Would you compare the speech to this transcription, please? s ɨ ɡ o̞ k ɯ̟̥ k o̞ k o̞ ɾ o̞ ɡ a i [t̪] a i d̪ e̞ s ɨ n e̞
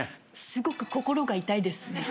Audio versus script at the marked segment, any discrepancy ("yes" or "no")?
no